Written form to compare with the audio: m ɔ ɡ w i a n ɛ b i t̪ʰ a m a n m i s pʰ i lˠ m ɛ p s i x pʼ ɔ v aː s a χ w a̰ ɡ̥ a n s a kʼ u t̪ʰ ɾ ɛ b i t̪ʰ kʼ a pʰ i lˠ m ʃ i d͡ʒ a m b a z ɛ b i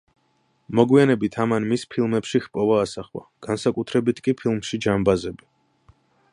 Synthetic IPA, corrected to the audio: m ɔ ɡ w i a n ɛ b i t̪ʰ a m a n m i s pʰ i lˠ m ɛ p ʃ i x pʼ ɔ v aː s a χ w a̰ ɡ̥ a n s a kʼ u t̪ʰ ɾ ɛ b i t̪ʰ kʼ i pʰ i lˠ m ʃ i d͡ʒ a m b a z ɛ b i